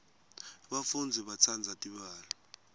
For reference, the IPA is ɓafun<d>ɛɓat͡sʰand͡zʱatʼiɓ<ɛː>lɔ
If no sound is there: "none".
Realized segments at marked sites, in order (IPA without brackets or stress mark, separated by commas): d͡zʱ, aː